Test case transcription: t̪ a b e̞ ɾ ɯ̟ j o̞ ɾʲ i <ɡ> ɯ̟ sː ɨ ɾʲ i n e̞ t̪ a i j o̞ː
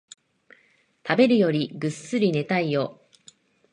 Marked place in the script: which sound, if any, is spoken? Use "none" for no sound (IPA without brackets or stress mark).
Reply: ɡ